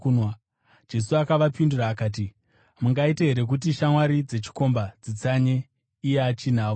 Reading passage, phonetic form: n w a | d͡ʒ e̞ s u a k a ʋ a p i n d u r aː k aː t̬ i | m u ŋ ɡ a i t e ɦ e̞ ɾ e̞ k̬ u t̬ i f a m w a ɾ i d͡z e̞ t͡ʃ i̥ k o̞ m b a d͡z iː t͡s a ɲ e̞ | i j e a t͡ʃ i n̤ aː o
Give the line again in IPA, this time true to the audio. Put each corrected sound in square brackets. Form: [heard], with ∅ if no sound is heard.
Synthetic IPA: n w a | d͡ʒ e̞ s u a k a ʋ a p i n d u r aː k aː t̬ i | m u ŋ ɡ a i t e ɦ e̞ ɾ e̞ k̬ u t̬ i [ʃ] a m w a ɾ i d͡z e̞ t͡ʃ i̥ k o̞ m b a d͡z [i] t͡s a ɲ e̞ | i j e a t͡ʃ i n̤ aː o